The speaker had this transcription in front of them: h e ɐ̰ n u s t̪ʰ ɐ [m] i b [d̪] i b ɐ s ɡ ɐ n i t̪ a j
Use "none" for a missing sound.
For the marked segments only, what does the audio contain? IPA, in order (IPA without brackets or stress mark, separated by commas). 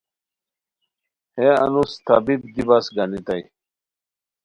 b, d̪